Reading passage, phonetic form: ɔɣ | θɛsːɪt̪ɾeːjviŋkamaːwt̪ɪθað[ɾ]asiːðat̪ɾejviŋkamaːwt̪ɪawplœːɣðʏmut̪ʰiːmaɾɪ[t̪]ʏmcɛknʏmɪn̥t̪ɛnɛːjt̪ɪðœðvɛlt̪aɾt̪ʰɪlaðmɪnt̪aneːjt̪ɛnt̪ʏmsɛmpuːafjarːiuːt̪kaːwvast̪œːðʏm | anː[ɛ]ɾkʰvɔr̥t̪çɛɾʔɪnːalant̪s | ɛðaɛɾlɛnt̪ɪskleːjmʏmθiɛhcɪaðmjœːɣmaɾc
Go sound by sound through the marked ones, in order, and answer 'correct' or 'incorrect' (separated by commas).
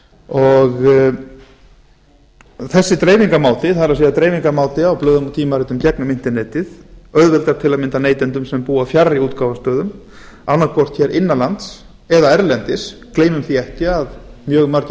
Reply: correct, correct, incorrect